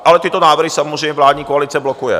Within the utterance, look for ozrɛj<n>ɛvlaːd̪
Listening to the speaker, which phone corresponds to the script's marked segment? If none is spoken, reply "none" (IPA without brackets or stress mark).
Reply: ɲ